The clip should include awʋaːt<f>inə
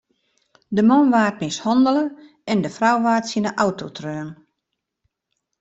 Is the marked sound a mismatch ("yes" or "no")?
yes